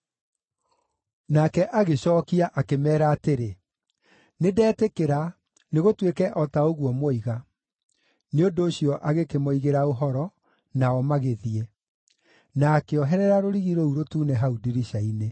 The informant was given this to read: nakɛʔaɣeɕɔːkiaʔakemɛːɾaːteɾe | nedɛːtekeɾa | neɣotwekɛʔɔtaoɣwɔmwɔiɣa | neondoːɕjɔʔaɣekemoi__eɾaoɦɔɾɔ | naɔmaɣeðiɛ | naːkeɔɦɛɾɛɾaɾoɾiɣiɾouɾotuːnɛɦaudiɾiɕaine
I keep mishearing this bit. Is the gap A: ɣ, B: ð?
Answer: A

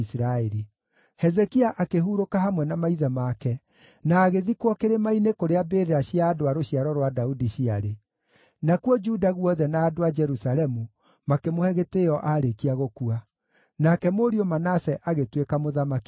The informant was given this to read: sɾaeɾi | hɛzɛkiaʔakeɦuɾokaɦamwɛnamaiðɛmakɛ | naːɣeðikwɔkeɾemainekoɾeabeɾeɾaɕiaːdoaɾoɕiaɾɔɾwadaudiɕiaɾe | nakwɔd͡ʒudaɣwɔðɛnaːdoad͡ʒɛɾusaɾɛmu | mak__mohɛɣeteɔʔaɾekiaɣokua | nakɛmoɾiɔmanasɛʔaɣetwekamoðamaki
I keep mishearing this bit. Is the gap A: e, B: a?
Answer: A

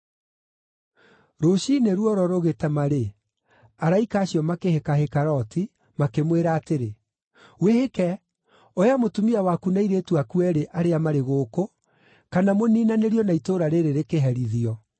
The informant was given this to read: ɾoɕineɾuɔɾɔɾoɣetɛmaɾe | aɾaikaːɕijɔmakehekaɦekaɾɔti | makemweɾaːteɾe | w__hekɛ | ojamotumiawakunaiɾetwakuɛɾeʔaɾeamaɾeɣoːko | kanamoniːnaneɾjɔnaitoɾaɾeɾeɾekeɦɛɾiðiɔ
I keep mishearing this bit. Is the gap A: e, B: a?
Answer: A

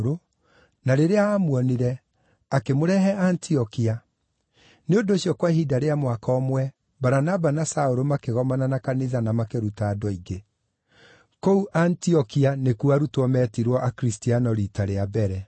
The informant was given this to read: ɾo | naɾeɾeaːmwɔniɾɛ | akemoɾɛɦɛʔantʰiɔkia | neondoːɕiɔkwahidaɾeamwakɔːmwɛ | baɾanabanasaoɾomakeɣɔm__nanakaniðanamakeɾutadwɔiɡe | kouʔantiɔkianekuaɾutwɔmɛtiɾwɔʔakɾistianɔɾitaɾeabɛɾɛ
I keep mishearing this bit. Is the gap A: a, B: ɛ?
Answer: A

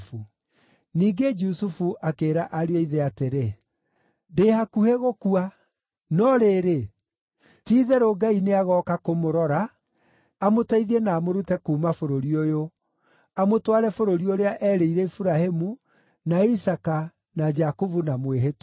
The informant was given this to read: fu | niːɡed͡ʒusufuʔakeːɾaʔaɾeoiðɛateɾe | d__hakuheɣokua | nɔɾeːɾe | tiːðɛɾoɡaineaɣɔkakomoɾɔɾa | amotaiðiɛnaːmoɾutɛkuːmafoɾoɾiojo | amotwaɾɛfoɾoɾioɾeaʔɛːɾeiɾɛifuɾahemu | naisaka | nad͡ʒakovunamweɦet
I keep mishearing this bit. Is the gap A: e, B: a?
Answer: A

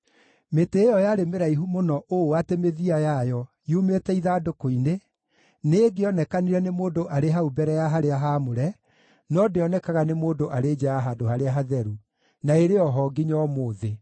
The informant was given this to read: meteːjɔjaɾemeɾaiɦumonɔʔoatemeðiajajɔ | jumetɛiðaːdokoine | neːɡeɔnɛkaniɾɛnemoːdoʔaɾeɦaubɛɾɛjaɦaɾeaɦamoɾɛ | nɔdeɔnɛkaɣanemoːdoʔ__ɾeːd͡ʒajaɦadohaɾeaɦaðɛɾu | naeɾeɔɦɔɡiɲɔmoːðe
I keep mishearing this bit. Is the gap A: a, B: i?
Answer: A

